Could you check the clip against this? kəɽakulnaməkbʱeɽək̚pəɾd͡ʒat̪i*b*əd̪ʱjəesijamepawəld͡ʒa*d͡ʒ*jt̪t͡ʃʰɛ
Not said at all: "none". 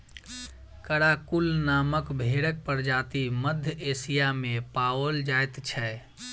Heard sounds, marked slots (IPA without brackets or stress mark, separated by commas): m, none